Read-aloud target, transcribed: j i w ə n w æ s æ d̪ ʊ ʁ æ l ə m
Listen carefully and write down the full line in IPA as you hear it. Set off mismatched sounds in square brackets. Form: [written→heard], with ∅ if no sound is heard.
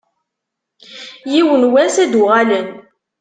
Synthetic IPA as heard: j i w ə n w æ s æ d̪ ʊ ʁ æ l ə [m→n]